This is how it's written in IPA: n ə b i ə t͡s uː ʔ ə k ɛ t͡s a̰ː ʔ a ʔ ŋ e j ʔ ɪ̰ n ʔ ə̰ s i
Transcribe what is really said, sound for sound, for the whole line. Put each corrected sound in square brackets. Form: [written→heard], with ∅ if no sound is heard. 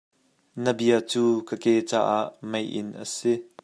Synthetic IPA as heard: n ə b i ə t͡s uː [ʔ→k] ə k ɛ t͡s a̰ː ʔ a ʔ [ŋ→m] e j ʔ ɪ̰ n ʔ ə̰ s i